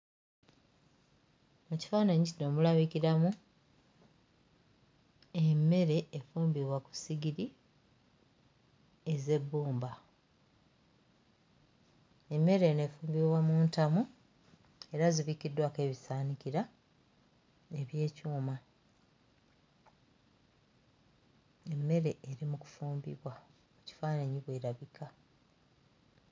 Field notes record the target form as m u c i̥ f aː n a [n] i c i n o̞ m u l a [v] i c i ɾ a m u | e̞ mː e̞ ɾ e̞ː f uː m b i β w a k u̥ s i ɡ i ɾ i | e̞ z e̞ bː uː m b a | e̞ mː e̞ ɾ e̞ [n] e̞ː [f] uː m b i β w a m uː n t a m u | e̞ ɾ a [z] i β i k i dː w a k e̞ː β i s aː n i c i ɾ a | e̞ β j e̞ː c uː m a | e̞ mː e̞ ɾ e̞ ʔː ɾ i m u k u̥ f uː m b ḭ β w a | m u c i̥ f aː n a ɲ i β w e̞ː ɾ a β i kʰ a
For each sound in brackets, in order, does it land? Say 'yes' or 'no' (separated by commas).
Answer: no, no, yes, yes, yes